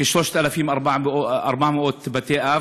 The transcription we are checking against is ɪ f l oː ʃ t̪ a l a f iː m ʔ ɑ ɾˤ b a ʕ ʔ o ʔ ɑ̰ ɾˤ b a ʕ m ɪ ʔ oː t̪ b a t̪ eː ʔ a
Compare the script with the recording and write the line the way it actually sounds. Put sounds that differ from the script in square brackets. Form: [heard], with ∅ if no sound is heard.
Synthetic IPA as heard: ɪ [ʃ] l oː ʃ t̪ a l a f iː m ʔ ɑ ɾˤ b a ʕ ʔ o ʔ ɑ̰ ɾˤ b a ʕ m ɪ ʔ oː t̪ b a t̪ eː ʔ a